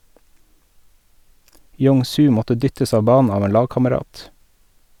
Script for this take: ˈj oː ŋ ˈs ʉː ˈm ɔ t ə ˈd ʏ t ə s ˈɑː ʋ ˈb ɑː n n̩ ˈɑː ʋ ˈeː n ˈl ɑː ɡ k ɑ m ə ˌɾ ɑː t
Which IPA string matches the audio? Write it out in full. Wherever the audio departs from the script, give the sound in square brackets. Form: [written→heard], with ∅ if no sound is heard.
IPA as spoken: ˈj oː ŋ ˈs ʉː ˈm ɔ t ə ˈd ʏ t ə s ˈɑː ʋ ˈb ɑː n n̩ ˈɑː ʋ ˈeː n ˈl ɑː ɡ k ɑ m ə ˌɾ ɑː t